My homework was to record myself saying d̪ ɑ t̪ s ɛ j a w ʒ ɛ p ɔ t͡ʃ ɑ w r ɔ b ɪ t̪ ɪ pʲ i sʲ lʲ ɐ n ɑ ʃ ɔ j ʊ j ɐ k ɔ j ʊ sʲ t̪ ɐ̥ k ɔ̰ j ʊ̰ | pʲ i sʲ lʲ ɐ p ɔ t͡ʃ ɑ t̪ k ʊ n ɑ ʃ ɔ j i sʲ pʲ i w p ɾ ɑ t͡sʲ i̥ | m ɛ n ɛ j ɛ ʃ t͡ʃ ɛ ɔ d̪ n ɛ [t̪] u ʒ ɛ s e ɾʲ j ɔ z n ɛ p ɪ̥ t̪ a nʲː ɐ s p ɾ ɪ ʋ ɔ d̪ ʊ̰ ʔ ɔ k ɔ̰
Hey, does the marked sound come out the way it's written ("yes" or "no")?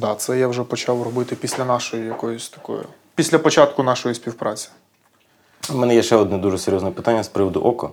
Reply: no